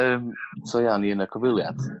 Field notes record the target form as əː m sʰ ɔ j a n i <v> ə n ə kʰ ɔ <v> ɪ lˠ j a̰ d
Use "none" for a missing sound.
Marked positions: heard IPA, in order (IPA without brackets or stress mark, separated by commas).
none, v